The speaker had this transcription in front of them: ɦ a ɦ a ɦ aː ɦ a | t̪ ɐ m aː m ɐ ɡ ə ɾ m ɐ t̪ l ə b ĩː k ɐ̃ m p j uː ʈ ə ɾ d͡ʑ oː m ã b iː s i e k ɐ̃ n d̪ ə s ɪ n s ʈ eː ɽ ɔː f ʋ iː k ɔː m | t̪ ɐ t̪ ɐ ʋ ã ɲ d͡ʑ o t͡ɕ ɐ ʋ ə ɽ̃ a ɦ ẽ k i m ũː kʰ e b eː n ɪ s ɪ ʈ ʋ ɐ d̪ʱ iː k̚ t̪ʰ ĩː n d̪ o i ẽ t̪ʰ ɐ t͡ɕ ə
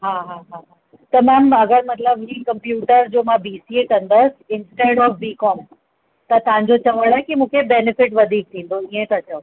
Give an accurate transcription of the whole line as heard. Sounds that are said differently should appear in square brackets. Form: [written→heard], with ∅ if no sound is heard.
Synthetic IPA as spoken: ɦ a ɦ a ɦ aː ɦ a | t̪ ɐ m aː m ɐ ɡ ə ɾ m ɐ t̪ l ə b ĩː k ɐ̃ m p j uː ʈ ə ɾ d͡ʑ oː m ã b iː s i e k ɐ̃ n d̪ ə s ɪ n s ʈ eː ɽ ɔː f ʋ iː k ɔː m | t̪ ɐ t̪ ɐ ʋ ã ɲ d͡ʑ o t͡ɕ ɐ ʋ ə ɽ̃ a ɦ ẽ k i m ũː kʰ e b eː n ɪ [s→f] ɪ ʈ ʋ ɐ d̪ʱ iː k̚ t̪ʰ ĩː n d̪ o i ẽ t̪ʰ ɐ t͡ɕ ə